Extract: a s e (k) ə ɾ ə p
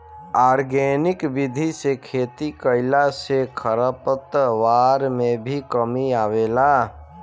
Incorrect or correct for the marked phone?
incorrect: kʰ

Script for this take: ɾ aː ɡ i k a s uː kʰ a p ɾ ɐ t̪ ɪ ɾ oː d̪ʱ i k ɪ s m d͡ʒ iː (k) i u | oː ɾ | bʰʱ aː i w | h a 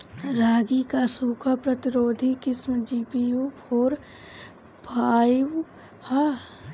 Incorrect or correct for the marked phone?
incorrect: p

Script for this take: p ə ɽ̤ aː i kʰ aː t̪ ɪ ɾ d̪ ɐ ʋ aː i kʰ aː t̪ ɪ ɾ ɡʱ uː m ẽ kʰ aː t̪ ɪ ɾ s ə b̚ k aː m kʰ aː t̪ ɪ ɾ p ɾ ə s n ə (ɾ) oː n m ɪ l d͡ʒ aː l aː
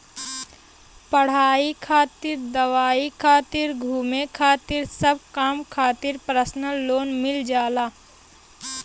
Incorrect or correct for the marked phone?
incorrect: l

